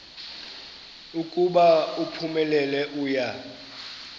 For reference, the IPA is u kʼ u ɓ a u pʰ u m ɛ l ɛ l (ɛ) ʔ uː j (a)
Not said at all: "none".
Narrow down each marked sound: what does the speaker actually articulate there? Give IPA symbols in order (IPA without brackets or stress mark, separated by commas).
ɛ, a